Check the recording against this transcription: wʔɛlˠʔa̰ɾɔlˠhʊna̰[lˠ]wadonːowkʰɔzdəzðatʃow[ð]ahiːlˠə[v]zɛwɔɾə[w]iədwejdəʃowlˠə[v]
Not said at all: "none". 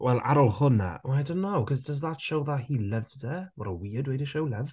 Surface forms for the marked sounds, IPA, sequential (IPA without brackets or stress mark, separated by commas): none, ð, v, w, v